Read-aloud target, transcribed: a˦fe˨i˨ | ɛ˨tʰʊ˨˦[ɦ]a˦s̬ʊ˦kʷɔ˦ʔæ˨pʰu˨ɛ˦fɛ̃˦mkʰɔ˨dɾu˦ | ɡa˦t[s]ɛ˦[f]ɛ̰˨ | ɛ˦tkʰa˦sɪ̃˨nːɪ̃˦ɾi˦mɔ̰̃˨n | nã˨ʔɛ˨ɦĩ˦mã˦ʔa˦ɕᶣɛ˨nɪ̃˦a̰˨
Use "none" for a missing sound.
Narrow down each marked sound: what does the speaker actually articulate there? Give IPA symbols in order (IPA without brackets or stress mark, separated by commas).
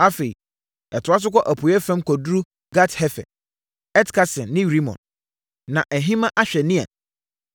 none, h, f